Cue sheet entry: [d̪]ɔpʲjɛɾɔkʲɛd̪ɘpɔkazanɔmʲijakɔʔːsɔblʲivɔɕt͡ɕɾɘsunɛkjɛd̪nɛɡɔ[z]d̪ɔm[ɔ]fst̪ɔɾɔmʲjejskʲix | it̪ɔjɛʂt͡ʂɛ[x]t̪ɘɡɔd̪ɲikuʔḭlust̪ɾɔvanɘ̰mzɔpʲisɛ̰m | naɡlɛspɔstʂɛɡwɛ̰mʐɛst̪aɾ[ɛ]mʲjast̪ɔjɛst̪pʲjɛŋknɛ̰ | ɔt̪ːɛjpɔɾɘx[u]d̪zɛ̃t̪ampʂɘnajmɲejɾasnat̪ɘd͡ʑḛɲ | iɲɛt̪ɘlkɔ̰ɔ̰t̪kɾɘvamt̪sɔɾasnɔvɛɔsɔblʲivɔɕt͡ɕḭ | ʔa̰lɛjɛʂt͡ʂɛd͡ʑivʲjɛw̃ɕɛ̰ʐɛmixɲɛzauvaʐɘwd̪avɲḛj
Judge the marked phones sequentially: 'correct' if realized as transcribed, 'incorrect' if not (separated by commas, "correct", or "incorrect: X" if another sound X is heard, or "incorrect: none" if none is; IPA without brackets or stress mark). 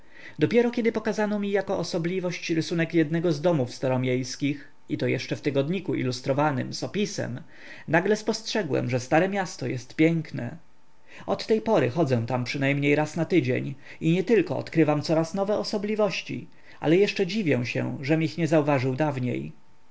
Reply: correct, correct, incorrect: u, incorrect: f, correct, incorrect: ɔ